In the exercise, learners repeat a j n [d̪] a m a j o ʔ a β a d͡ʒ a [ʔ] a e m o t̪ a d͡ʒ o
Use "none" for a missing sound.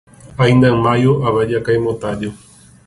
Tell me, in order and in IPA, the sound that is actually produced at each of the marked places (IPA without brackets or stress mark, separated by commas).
d̪, k